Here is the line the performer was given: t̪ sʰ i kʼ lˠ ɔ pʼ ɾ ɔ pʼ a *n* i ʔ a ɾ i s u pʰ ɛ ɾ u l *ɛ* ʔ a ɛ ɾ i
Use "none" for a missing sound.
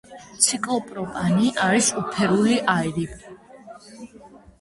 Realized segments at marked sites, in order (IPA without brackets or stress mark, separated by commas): n, i